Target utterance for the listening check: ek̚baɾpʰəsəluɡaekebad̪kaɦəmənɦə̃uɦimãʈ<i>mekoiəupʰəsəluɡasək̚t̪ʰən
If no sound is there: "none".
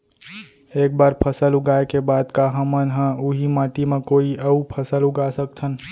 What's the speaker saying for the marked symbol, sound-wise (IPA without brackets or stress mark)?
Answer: i